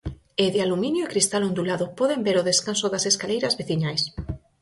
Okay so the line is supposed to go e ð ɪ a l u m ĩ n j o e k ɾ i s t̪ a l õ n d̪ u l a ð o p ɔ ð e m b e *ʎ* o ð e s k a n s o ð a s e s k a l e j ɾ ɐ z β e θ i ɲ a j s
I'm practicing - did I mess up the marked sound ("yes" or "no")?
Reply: yes